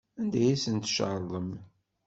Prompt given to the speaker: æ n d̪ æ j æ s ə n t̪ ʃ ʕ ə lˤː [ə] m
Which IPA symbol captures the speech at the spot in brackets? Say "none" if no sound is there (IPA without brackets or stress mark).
ə